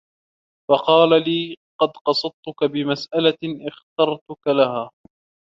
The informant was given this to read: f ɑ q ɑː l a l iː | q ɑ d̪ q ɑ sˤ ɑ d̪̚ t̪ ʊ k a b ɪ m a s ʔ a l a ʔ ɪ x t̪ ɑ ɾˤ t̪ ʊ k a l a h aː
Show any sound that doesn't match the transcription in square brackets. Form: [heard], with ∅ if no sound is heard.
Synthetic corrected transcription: f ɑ q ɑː l a l iː | q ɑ d̪ q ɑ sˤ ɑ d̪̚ t̪ ʊ k a b ɪ m a s ʔ a l a ʔ ɪ x t̪ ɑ ɾˤ t̪ ʊ k a l a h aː